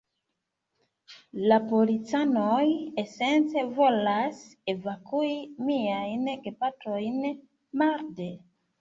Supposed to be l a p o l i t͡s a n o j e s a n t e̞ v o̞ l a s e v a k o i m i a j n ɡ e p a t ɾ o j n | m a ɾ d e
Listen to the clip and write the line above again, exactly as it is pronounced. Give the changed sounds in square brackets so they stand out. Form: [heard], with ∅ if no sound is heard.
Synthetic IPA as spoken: l a p o l i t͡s a n o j e s [e] n [t͡s] e̞ v o̞ l a s e v a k [u] i m i a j n ɡ e p a t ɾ o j n | m a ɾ d e